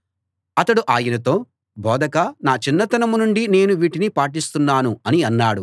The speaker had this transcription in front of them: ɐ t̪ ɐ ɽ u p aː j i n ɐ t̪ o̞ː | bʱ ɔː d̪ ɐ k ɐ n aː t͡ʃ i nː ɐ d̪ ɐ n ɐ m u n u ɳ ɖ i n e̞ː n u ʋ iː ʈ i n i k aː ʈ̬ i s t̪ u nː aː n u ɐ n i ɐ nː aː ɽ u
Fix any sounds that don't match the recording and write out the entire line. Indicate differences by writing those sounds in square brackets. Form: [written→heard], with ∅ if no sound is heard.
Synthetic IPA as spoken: ɐ t̪ ɐ ɽ u [p→ʔ] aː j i n ɐ t̪ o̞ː | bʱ ɔː d̪ ɐ k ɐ n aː t͡ʃ i nː ɐ [d̪→t̪] ɐ n ɐ m u n u ɳ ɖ i n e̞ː n u ʋ iː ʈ i n i [k→p] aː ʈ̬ i s t̪ u nː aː n u ɐ n i ɐ nː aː ɽ u

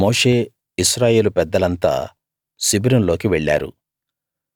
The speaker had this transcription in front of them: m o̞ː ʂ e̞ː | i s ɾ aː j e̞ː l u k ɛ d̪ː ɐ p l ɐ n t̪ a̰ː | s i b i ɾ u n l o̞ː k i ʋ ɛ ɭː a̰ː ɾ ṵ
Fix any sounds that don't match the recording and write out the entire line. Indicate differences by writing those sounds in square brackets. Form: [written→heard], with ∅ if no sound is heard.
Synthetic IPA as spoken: m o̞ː ʂ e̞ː | i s ɾ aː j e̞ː l u [k→p] ɛ d̪ː ɐ [p→∅] l ɐ n t̪ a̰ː | s i b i ɾ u n l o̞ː k i ʋ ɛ ɭː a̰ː ɾ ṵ

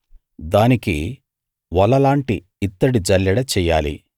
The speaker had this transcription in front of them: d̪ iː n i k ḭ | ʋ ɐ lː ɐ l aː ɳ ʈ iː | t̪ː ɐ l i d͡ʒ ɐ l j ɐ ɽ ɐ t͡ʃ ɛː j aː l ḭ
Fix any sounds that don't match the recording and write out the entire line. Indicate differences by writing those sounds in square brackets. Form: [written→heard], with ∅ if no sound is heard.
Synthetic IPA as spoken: d̪ [iː→aː] n i k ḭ | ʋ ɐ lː ɐ l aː ɳ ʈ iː | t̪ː ɐ [l→ɽ] i d͡ʒ ɐ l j ɐ ɽ ɐ t͡ʃ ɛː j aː l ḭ

